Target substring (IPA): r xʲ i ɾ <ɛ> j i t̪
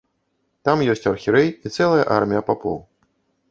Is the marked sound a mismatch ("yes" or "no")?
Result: no